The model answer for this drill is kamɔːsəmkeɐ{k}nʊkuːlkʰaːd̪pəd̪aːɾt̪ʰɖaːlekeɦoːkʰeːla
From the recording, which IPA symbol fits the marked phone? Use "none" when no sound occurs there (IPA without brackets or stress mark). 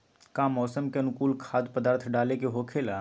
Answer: none